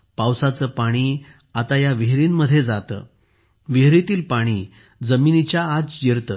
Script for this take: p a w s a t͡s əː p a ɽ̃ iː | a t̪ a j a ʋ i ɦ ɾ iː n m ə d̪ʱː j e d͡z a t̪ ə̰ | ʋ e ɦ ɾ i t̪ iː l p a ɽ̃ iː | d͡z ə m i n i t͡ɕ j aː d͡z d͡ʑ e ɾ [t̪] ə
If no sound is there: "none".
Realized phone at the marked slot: t̪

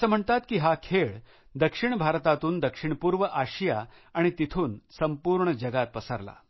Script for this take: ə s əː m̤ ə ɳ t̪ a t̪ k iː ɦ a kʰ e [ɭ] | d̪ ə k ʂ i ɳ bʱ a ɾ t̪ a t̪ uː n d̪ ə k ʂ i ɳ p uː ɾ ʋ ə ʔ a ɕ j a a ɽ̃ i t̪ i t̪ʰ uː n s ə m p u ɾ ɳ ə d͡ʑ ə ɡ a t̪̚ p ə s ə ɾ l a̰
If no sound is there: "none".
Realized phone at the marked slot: ɭ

